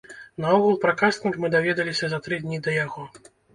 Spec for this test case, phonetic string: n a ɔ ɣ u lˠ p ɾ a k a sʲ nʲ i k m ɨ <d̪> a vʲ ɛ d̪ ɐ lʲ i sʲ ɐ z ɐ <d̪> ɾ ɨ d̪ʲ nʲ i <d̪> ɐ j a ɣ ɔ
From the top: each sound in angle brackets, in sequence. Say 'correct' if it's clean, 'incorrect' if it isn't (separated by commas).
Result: correct, incorrect, correct